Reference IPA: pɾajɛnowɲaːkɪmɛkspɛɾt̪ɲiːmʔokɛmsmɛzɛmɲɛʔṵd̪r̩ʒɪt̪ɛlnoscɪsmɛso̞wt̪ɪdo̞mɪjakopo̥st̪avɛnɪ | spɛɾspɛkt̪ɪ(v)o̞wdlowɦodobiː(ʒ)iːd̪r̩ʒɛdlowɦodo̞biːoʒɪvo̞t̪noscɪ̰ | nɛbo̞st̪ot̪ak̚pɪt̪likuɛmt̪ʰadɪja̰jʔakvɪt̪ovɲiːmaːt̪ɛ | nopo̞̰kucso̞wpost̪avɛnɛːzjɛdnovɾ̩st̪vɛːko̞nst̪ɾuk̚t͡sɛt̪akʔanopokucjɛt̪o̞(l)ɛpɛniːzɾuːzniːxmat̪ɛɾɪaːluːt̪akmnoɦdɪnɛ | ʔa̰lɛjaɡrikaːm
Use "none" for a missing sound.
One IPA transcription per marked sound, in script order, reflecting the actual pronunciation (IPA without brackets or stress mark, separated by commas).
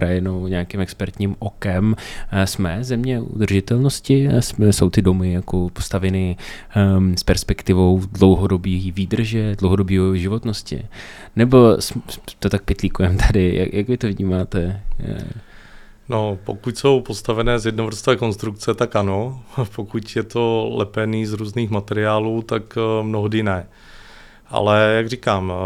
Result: v, v, l